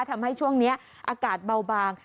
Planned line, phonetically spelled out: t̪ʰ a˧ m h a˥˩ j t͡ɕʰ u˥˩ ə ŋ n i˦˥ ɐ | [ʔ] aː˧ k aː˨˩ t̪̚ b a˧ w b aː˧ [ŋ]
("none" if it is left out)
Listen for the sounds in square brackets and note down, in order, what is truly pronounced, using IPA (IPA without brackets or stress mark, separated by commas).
ʔ, ŋ